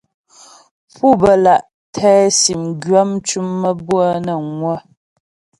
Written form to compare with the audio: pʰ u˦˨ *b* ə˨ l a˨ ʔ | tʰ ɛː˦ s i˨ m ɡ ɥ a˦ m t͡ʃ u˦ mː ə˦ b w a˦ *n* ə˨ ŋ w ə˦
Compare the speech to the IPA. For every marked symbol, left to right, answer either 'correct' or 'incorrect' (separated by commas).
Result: correct, correct